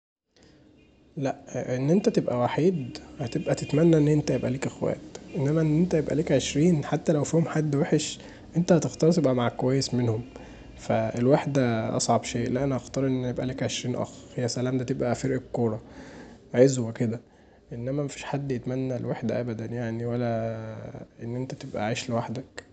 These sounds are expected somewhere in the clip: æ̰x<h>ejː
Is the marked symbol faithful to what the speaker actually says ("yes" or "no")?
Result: yes